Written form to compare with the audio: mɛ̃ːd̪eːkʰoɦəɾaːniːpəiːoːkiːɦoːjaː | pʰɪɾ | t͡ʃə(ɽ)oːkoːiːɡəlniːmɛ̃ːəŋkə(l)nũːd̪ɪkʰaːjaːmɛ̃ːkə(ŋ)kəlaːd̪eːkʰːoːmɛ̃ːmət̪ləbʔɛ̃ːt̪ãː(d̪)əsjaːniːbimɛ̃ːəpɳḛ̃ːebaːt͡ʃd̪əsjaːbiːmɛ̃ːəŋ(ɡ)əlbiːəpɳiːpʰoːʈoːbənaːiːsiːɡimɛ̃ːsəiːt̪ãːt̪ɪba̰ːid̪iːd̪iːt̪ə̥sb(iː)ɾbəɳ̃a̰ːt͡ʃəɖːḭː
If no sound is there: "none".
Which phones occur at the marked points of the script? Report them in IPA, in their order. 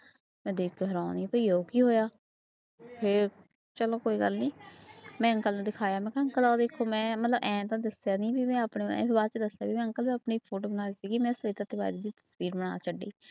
l, l, ŋ, d̪, k, iː

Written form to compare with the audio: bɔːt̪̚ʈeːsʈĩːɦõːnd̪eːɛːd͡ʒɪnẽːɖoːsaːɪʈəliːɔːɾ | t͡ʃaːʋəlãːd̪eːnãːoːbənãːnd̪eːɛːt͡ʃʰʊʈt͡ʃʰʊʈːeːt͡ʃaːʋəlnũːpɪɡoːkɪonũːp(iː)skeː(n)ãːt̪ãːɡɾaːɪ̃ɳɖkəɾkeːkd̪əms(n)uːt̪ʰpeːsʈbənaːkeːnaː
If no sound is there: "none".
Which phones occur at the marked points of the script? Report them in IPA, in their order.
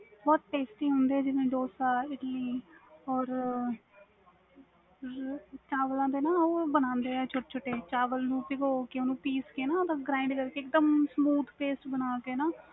iː, n, m

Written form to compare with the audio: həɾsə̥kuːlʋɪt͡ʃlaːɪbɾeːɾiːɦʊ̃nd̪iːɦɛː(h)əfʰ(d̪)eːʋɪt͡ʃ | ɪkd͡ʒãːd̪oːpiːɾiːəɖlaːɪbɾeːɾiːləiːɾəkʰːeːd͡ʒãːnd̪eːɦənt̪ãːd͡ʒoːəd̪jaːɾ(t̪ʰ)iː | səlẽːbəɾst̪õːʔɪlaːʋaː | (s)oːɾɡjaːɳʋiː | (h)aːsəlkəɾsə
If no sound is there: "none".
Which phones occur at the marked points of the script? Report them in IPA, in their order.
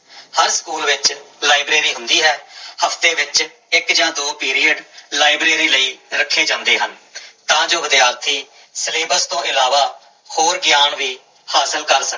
h, t̪, t̪ʰ, h, h

